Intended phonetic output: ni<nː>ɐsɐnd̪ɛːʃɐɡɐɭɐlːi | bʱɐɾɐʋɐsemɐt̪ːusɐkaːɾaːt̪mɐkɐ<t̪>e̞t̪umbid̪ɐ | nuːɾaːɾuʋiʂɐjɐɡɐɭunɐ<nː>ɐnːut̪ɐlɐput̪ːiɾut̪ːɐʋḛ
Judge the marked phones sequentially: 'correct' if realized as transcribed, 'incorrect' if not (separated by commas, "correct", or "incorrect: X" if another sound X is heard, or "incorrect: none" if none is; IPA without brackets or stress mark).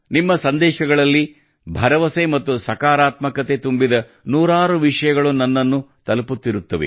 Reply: incorrect: mː, correct, correct